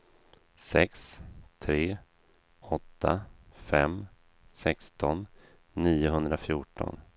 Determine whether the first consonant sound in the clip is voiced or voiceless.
voiceless